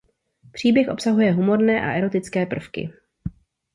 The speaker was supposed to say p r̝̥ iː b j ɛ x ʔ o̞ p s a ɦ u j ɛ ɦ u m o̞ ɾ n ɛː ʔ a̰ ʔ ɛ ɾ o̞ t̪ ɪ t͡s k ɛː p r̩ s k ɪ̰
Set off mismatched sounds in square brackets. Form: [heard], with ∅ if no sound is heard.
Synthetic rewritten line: p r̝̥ iː b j ɛ x ʔ o̞ p s a ɦ u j ɛ ɦ u m o̞ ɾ n ɛː ʔ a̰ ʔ ɛ ɾ o̞ t̪ ɪ t͡s k ɛː p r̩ [f] k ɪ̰

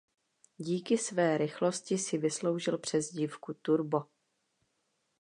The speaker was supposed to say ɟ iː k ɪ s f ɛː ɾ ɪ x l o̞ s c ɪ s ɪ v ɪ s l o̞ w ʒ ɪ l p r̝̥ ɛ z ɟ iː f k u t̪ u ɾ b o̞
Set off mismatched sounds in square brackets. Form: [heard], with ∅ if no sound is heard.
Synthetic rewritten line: ɟ iː k ɪ s [v] ɛː ɾ ɪ x l o̞ s c ɪ s ɪ v ɪ s l o̞ w ʒ ɪ l p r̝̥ ɛ z ɟ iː f k u t̪ u ɾ b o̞

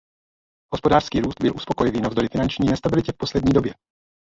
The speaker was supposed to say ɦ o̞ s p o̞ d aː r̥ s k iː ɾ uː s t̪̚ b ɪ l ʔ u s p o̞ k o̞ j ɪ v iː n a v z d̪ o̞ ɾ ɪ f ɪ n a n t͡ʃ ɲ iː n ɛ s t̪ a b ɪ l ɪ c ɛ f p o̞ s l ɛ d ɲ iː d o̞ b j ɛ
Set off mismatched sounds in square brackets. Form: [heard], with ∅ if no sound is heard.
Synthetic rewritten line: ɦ o̞ s p o̞ d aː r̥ s k iː ɾ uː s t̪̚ b ɪ l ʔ u s p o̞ k o̞ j ɪ v iː n a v z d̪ o̞ ɾ ɪ f ɪ n a n t͡ʃ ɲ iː n ɛ s t̪ a b ɪ l ɪ c ɛ f p o̞ s l ɛ d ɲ iː d o̞ b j ɛ

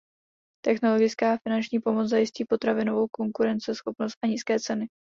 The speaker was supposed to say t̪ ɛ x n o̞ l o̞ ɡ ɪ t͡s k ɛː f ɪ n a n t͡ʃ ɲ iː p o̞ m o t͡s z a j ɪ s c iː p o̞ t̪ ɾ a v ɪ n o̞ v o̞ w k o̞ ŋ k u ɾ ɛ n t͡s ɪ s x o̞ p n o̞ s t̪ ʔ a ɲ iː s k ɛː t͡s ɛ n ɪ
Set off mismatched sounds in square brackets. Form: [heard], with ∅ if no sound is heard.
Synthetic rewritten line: t̪ ɛ x n o̞ l o̞ ɡ ɪ t͡s k [aː] f ɪ n a n t͡ʃ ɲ iː p o̞ m o t͡s z a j ɪ s c iː p o̞ t̪ ɾ a v ɪ n o̞ v o̞ w k o̞ ŋ k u ɾ ɛ n t͡s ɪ s x o̞ p n o̞ s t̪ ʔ a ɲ iː s k ɛː t͡s ɛ n ɪ

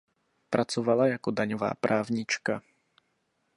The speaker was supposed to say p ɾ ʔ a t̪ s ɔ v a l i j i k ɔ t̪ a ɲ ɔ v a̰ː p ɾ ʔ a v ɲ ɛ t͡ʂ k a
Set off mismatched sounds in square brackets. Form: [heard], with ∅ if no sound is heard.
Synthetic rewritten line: p ɾ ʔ a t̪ s ɔ v a l [a] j [a] k ɔ [d̪] a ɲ ɔ v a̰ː p ɾ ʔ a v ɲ [i] t͡ʂ k a

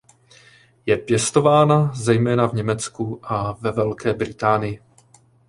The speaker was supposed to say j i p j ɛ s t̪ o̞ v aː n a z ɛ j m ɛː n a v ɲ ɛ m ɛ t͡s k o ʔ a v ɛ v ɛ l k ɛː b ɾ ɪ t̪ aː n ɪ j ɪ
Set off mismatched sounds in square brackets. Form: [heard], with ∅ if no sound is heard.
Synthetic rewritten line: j [ɛ] p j ɛ s t̪ o̞ v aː n a z ɛ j m ɛː n a v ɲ ɛ m ɛ t͡s k [u] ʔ a v ɛ v ɛ l k ɛː b ɾ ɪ t̪ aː n ɪ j ɪ

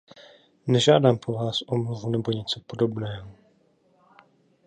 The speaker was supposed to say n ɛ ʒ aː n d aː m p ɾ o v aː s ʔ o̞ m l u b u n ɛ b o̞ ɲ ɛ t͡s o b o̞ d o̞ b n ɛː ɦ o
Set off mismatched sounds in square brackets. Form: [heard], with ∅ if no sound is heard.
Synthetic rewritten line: n ɛ ʒ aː [∅] d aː m p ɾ o v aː s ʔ o̞ m l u [v] u n ɛ b o̞ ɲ ɛ t͡s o [p] o̞ d o̞ b n ɛː ɦ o

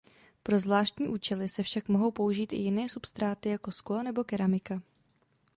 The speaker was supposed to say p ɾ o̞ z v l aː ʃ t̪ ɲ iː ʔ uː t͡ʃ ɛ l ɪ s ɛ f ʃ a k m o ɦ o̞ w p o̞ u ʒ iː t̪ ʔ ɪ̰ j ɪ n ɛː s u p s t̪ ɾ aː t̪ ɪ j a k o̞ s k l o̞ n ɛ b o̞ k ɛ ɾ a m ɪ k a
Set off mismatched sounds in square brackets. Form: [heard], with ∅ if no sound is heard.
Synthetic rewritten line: p ɾ o̞ z v l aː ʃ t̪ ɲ iː ʔ uː t͡ʃ ɛ l ɪ s ɛ f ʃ a k m o ɦ o̞ w p o̞ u ʒ iː t̪ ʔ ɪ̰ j ɪ n ɛː s u p s t̪ ɾ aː t̪ ɪ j a k o̞ s k l o̞ n ɛ b o̞ k ɛ ɾ a m ɪ k a

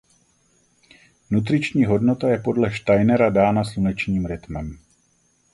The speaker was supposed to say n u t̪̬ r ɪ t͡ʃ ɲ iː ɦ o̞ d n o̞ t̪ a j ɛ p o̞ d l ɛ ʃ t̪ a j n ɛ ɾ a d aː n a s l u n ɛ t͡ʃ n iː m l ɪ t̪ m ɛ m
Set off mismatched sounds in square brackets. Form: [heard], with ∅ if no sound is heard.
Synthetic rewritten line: n u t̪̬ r ɪ t͡ʃ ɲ iː ɦ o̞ d n o̞ t̪ a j ɛ p o̞ d l ɛ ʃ t̪ a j n ɛ ɾ a d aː n a s l u n ɛ t͡ʃ [ɲ] iː m [ɾ] ɪ t̪ m ɛ m

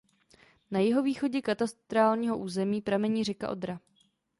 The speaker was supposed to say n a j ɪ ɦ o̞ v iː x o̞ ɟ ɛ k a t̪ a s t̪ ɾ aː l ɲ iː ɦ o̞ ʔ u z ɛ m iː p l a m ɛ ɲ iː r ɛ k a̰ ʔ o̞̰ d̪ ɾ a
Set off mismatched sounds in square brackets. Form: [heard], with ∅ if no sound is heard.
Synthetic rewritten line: n a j ɪ ɦ o̞ v iː x o̞ ɟ ɛ k a t̪ a s t̪ ɾ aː l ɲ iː ɦ o̞ ʔ [uː] z ɛ m iː p [ɾ] a m ɛ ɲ iː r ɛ k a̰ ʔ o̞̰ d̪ ɾ a

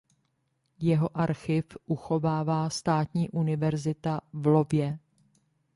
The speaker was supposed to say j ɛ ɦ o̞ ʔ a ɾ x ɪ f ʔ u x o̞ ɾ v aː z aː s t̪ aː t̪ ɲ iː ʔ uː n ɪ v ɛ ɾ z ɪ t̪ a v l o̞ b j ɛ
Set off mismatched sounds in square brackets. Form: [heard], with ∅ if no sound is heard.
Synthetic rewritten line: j ɛ ɦ o̞ ʔ a ɾ x ɪ f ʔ u x o̞ [∅] v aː [v] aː s t̪ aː t̪ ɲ iː ʔ [u] n ɪ v ɛ ɾ z ɪ t̪ a v l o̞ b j ɛ

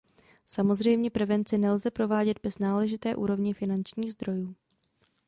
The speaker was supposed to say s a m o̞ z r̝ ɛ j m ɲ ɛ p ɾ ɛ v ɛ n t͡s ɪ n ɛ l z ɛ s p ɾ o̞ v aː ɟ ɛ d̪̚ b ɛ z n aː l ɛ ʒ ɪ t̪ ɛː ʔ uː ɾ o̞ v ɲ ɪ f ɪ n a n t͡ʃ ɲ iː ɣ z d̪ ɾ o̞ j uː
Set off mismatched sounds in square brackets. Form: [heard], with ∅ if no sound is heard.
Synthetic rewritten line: s a m o̞ z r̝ ɛ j m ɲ ɛ p ɾ ɛ v ɛ n t͡s ɪ n ɛ l z ɛ [∅] p ɾ o̞ v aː ɟ ɛ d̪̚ b ɛ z n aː l ɛ ʒ ɪ t̪ ɛː ʔ uː ɾ o̞ v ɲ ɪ f ɪ n a n t͡ʃ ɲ iː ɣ z d̪ ɾ o̞ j uː

